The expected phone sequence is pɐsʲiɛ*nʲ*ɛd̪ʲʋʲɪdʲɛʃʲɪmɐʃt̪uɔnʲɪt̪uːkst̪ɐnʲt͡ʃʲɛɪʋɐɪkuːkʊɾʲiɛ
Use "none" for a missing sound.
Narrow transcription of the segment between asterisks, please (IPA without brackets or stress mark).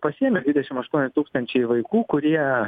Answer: mʲ